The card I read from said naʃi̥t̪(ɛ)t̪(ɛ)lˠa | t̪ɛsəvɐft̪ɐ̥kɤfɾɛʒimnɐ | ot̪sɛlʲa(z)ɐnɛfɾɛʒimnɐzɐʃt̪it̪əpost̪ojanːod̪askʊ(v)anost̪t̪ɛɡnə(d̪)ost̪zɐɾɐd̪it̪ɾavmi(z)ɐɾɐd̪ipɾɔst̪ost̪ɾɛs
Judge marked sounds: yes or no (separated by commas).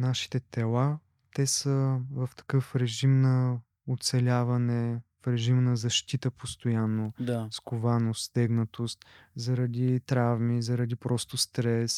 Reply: yes, yes, no, yes, no, yes